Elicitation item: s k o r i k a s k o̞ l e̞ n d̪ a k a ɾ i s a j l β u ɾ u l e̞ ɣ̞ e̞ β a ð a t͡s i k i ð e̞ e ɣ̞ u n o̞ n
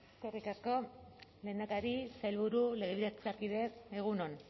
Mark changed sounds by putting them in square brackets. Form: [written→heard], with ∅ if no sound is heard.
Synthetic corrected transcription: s k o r i k a s k o̞ l e̞ n d̪ a k a ɾ i s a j l β u ɾ u l e̞ ɣ̞ e̞ β [a→i] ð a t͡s [i→a] k i ð e̞ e ɣ̞ u n o̞ n